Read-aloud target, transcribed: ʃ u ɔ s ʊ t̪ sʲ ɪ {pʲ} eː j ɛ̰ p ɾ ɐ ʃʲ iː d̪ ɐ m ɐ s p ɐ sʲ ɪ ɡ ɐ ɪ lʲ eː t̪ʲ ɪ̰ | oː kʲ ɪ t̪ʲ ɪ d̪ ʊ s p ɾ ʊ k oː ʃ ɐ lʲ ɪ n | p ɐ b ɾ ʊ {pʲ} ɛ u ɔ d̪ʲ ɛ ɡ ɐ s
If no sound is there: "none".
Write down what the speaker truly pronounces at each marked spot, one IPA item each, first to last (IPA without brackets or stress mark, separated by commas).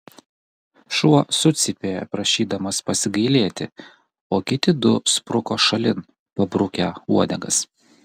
pʲ, kʲ